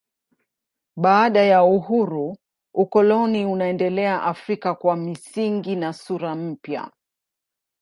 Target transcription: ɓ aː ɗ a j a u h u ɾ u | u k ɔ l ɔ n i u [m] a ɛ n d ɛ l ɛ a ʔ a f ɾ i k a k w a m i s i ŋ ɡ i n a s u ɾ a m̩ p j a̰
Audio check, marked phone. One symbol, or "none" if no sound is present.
n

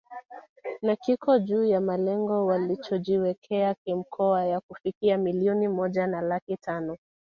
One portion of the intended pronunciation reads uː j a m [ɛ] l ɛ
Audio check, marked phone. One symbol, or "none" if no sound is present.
a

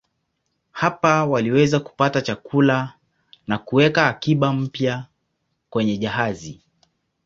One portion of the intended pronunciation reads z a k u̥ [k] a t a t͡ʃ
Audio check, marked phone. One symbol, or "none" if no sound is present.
p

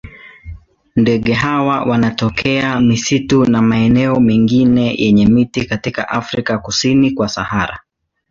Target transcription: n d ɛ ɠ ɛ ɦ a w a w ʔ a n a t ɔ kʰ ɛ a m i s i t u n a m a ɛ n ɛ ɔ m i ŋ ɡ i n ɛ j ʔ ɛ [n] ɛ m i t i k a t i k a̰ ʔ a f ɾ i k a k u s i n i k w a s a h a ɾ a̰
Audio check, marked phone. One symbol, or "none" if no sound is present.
ɲ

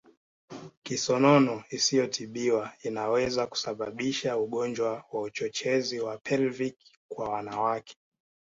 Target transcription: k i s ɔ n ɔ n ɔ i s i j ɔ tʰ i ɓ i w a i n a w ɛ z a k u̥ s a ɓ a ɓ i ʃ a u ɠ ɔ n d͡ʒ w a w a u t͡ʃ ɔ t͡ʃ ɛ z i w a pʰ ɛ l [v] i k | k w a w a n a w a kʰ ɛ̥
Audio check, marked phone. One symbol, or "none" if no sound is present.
v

